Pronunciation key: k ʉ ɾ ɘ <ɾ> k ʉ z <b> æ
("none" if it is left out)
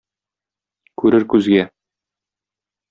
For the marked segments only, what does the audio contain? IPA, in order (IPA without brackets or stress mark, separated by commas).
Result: ɾ, ɡ